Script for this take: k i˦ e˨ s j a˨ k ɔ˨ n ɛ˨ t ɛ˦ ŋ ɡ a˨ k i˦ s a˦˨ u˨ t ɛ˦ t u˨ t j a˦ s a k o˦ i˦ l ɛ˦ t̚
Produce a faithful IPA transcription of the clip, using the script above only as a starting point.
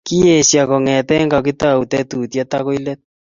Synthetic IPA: k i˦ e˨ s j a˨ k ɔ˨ ŋ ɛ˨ t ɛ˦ ŋ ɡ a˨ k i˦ t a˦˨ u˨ t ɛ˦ t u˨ t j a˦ t a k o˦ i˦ l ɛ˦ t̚